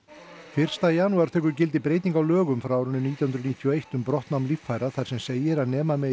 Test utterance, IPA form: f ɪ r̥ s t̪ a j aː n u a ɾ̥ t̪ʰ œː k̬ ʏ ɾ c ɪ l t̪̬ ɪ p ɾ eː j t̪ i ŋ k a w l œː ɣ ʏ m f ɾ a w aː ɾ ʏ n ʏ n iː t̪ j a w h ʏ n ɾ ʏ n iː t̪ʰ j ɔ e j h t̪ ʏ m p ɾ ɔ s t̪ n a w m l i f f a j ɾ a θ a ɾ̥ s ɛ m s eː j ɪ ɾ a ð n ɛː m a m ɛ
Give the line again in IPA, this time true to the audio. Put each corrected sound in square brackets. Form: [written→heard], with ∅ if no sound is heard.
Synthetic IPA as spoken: f ɪ r̥ s t̪ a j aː n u a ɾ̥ t̪ʰ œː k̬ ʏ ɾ c ɪ l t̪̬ ɪ p ɾ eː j t̪ i ŋ k a w l œː ɣ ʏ m f ɾ a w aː ɾ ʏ n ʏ n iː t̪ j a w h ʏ n ɾ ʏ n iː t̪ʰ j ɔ e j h t̪ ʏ m p ɾ ɔ [s→h] t̪ n a w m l i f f a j ɾ a θ a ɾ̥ s ɛ m s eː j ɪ ɾ a ð n ɛː m a m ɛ